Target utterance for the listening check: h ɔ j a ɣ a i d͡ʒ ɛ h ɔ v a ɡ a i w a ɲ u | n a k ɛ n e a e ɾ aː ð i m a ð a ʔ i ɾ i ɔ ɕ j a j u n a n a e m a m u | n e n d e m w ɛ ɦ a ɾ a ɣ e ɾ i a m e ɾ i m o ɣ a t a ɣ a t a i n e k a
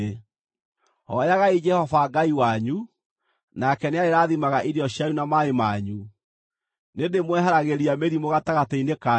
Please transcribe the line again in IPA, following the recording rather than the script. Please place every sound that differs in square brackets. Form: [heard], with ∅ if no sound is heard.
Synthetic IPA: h ɔ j a ɣ a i d͡ʒ ɛ h ɔ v a ɡ a i w a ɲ u | n a k ɛ n e a e ɾ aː ð i m a [ɣ] a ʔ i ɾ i ɔ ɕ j a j u n a [m] a e m a [ɲ] u | n e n d e m w ɛ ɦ a ɾ a ɣ e ɾ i a m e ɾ i m o ɣ a t a ɣ a t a i n e k a

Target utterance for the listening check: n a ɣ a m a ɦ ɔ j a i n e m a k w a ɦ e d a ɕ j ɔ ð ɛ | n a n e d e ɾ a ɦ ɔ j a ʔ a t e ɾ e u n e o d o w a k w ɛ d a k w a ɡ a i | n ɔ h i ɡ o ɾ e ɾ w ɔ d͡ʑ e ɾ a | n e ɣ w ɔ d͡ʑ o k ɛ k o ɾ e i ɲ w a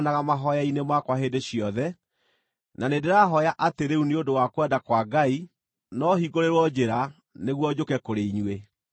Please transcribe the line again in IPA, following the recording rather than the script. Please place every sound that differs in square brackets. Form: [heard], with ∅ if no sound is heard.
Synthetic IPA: n a ɣ a m a ɦ ɔ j a i n e m a k w a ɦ e d [e] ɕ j ɔ ð ɛ | n a n e d e ɾ a ɦ ɔ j a ʔ a t e ɾ e u n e o d o w a k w ɛ d a k w a ɡ a i | n ɔ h i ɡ o ɾ e ɾ w ɔ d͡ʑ e ɾ a | n e ɣ w ɔ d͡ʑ o k ɛ k o ɾ e i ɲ w [e]

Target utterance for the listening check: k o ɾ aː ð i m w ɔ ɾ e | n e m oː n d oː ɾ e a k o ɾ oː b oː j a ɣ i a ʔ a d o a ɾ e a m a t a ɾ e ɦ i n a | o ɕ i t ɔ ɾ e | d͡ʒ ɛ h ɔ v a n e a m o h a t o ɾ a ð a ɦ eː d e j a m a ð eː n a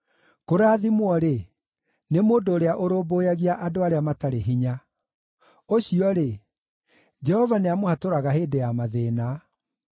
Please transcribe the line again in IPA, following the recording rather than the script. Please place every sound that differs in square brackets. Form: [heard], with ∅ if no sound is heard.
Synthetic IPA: k o ɾ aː ð i m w ɔ ɾ e | n e m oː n d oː ɾ e a [ʔ] o ɾ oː b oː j a ɣ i a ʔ a d o a ɾ e a m a t a ɾ e ɦ i [ɲ] a | o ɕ i [∅] ɔ ɾ e | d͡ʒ ɛ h ɔ v a n e a m o h a t o ɾ a [ɣ] a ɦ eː d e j a m a ð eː n a

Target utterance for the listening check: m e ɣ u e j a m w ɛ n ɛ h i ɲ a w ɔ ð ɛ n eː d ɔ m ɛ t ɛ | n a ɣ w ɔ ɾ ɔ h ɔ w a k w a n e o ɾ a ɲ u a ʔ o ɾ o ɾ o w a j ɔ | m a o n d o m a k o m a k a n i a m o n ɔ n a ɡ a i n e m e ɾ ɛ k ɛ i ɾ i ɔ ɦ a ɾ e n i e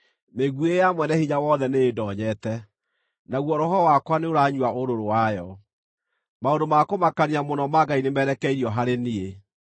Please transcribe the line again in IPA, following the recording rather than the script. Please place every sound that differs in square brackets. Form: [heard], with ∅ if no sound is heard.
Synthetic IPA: m e ɣ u e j a m w ɛ n ɛ h i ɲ a w ɔ ð ɛ n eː d ɔ [ɲ] ɛ t ɛ | n a ɣ w ɔ ɾ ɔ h ɔ w a k w a n e o ɾ a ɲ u a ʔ o ɾ o ɾ o w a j ɔ | m a o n d o m a k o m a k a n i a m o n ɔ [m] a ɡ a i n e m [ɛ] ɾ ɛ k ɛ i ɾ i ɔ ɦ a ɾ e n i e

